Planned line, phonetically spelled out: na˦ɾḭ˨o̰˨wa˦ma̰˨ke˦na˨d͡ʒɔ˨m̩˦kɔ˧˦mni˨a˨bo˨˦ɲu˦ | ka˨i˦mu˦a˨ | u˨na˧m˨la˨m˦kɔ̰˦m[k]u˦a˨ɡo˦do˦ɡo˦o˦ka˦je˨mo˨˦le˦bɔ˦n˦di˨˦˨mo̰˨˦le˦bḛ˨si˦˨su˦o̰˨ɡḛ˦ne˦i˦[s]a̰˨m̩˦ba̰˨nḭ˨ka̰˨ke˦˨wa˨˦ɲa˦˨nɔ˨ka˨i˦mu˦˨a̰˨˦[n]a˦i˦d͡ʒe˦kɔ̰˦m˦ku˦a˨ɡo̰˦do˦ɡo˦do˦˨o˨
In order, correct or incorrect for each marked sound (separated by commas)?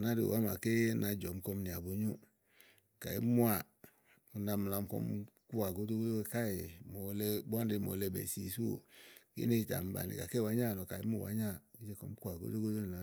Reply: correct, incorrect, incorrect